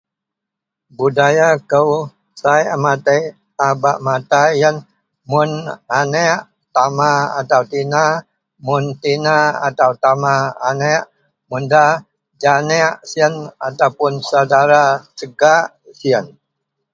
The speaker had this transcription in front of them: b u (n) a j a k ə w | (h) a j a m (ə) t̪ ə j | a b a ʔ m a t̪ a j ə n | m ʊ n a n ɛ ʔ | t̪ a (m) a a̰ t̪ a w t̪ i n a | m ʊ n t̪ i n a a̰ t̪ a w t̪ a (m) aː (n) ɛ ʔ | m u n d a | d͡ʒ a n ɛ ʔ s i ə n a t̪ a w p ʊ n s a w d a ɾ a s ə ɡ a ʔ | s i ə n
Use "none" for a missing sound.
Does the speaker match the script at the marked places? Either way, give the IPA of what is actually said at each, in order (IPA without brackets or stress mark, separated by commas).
d, s, a, m, m, n